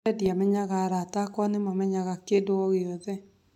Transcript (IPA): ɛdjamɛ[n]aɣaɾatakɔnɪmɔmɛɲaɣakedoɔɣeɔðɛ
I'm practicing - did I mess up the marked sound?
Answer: yes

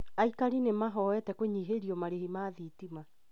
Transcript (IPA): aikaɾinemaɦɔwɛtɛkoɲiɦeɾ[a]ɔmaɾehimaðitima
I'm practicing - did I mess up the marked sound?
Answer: yes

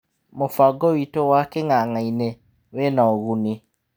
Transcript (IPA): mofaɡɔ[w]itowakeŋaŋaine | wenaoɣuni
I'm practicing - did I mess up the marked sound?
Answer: no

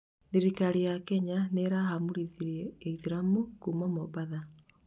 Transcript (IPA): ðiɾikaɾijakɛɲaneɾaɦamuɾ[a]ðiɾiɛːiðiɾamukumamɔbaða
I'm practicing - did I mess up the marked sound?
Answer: yes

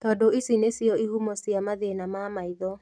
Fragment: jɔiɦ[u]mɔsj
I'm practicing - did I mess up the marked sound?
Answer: no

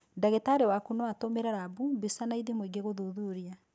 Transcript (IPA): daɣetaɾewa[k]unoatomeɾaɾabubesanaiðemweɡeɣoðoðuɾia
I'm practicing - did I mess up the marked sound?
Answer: no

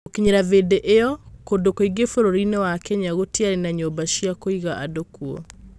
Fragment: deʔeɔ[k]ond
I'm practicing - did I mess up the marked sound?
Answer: no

